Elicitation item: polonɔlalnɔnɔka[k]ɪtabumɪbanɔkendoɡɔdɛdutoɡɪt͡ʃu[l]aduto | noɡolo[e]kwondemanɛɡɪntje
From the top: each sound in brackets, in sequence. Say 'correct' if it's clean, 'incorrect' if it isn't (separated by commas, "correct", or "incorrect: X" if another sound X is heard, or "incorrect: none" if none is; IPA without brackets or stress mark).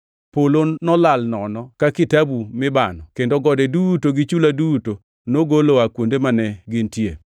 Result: correct, correct, incorrect: a